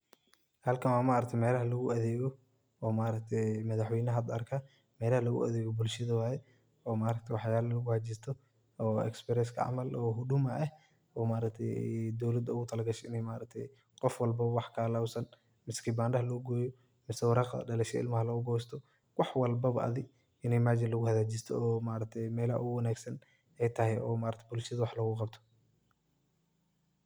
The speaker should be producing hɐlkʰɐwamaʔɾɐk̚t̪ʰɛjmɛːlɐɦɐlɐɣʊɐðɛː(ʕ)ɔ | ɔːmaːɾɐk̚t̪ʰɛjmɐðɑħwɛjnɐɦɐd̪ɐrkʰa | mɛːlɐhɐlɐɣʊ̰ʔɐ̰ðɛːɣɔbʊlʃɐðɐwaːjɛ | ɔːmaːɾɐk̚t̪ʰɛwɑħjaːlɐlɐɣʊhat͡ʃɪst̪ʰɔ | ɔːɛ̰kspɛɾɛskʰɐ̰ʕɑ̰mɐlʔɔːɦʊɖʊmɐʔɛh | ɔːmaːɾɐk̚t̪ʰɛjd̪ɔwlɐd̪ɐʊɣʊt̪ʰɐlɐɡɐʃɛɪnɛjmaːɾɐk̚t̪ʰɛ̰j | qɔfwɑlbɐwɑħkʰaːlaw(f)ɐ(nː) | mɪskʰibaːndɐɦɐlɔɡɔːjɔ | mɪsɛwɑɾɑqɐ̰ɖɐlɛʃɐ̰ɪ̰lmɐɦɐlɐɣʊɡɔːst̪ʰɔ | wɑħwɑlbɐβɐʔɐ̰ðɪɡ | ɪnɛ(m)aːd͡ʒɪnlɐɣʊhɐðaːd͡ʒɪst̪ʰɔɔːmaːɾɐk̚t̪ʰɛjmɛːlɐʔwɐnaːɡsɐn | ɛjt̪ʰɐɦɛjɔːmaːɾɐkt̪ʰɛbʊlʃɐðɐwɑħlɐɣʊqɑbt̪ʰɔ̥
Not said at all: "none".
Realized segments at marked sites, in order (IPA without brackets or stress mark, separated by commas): ɣ, s, n, m